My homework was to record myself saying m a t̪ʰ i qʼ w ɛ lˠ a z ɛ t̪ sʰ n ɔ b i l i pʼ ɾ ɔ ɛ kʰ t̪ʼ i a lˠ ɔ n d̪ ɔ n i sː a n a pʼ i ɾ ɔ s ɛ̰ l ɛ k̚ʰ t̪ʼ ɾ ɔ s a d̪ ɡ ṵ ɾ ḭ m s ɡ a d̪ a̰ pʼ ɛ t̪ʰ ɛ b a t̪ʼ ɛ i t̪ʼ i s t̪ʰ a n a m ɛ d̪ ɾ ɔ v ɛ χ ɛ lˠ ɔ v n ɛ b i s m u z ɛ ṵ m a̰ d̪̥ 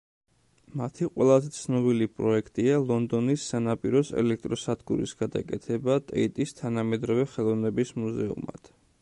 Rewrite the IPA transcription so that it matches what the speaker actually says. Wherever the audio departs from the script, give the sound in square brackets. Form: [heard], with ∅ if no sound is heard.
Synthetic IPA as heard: m a t̪ʰ i qʼ w ɛ lˠ a z ɛ t̪ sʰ n ɔ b i l i pʼ ɾ ɔ ɛ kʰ t̪ʼ i a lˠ ɔ n d̪ ɔ n i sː a n a pʼ i ɾ ɔ s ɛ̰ l ɛ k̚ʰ t̪ʼ ɾ ɔ s a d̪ ɡ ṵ ɾ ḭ [∅] s ɡ a d̪ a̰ [kʼ] ɛ t̪ʰ ɛ b a t̪ʼ ɛ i t̪ʼ i s t̪ʰ a n a m ɛ d̪ ɾ ɔ v ɛ χ ɛ lˠ ɔ v n ɛ b i s m u z ɛ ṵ m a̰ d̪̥